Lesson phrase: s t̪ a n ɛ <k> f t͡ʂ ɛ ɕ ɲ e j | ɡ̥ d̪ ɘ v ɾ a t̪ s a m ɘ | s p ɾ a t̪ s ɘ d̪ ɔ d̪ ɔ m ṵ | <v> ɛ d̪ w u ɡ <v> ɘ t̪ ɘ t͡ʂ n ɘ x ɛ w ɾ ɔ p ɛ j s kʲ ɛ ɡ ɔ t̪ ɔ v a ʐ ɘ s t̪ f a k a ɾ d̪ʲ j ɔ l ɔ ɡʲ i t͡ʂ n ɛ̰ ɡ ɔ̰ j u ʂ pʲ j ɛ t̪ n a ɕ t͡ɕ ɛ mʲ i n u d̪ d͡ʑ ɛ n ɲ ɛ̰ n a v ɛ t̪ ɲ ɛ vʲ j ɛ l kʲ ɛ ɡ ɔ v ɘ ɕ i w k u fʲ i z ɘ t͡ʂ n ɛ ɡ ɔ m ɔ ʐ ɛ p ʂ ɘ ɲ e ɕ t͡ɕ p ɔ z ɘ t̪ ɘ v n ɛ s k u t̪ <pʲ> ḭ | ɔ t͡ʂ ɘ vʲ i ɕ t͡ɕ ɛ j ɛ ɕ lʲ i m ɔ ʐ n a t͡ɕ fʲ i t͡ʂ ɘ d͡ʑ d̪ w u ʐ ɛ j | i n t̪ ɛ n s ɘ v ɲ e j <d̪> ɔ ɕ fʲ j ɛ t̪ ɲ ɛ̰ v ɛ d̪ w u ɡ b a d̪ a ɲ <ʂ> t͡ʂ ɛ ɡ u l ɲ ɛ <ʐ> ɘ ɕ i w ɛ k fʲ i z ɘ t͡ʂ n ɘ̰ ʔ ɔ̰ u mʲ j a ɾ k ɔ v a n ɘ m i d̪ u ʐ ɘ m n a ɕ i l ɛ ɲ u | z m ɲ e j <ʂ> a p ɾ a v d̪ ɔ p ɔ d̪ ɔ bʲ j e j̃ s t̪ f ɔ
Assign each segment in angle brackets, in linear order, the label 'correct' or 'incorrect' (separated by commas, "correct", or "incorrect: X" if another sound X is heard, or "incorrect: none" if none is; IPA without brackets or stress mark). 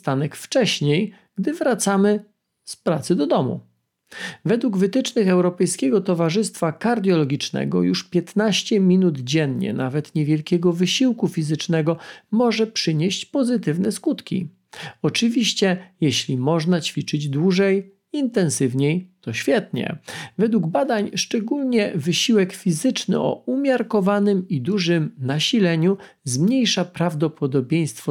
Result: correct, correct, correct, incorrect: kʲ, incorrect: t̪, correct, incorrect: v, correct